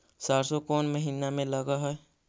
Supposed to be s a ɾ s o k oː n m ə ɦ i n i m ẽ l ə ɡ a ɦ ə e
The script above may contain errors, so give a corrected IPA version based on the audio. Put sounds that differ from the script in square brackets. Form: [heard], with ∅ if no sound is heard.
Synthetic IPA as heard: s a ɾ s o k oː n m ə ɦ i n [a] m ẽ l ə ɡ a ɦ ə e